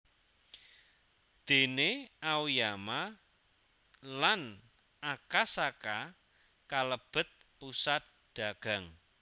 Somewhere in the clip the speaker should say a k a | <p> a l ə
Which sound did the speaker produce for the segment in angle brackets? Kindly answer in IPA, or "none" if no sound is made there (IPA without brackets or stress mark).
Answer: k